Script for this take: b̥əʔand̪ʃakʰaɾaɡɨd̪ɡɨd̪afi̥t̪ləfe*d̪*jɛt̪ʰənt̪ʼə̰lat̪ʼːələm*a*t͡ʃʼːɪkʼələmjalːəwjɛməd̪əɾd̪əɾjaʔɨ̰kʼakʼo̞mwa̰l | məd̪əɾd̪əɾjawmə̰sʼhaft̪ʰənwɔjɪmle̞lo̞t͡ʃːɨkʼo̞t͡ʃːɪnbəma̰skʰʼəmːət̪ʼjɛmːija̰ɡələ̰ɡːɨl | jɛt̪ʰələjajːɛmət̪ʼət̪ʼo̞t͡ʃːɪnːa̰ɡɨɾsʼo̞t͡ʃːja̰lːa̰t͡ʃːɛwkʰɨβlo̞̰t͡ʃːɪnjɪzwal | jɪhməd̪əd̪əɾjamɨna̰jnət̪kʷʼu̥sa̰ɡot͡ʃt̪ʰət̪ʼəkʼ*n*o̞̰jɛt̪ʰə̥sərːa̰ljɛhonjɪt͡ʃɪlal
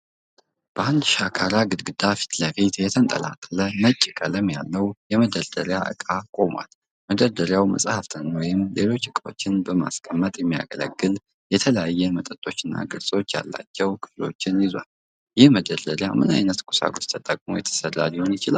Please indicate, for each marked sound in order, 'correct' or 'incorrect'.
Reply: incorrect, incorrect, incorrect

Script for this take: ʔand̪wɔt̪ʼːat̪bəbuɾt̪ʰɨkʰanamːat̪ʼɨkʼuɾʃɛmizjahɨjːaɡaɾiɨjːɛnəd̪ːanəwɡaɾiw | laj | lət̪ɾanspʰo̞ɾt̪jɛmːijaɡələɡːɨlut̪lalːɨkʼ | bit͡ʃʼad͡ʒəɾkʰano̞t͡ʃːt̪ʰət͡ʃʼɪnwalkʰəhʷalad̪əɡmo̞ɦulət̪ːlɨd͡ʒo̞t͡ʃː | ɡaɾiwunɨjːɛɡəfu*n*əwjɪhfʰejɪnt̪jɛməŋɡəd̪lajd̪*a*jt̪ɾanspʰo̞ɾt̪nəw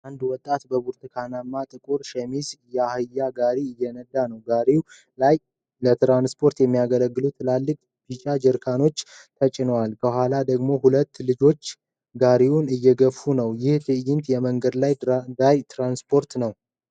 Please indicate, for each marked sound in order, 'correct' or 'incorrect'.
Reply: correct, correct

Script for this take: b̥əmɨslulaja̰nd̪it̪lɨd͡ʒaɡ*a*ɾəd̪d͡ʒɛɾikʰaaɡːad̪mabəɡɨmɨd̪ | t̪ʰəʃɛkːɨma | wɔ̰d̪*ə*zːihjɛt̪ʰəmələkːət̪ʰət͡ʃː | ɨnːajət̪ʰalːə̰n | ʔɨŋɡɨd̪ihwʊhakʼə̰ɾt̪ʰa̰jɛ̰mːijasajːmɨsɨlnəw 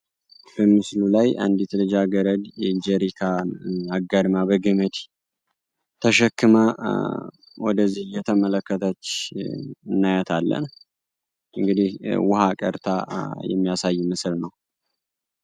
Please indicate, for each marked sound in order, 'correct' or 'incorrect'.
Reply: incorrect, correct

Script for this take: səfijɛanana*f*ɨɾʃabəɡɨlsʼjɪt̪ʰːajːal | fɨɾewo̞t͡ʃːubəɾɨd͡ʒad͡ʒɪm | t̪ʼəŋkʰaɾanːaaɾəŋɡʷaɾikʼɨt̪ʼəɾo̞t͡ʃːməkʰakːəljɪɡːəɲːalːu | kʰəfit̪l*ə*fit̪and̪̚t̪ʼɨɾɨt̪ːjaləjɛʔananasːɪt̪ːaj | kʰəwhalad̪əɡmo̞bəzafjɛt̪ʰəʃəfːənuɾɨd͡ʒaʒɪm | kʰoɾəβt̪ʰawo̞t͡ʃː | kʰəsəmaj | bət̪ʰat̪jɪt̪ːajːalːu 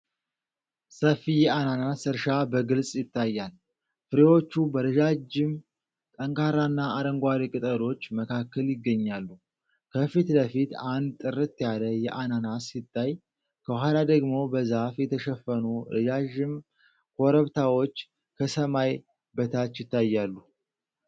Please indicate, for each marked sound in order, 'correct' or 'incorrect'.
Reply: incorrect, correct

